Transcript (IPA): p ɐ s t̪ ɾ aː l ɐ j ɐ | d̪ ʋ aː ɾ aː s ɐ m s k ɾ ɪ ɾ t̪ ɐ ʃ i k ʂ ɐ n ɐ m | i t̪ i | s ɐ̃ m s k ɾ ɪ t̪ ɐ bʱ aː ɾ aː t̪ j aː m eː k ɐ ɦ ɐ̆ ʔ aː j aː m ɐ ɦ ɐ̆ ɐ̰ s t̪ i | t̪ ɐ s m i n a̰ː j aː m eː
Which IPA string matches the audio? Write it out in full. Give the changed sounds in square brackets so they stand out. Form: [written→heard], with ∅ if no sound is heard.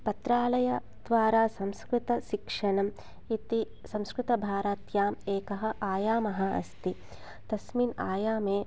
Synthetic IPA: p ɐ [s→∅] t̪ ɾ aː l ɐ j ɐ | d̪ ʋ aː ɾ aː s ɐ m s k ɾ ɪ [ɾ→∅] t̪ ɐ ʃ i k ʂ ɐ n ɐ m | i t̪ i | s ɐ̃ m s k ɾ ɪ t̪ ɐ bʱ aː ɾ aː t̪ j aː m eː k ɐ ɦ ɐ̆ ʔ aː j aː m ɐ ɦ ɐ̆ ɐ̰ s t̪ i | t̪ ɐ s m i n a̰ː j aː m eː